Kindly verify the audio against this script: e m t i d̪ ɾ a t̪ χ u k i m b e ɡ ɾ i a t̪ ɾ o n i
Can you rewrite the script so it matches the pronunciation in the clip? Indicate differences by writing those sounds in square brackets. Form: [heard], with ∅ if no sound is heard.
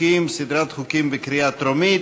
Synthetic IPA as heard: [i] m [s] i d̪ ɾ a t̪ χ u k i m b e [k] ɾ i a t̪ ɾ o [m] i